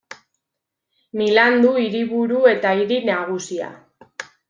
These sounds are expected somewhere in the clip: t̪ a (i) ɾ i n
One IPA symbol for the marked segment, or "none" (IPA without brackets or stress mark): i